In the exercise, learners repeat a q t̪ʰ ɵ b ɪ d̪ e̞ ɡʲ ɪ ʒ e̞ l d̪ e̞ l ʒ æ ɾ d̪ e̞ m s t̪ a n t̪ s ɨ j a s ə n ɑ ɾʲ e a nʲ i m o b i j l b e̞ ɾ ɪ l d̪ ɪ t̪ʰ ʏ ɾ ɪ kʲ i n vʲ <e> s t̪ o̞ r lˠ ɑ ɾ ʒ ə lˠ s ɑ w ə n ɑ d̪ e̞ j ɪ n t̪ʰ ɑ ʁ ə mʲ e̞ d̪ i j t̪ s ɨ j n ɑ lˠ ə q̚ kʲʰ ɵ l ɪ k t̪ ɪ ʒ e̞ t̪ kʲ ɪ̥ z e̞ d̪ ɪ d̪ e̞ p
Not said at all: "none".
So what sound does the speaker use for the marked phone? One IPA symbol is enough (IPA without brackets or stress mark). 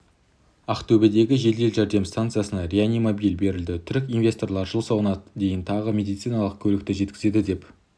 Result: e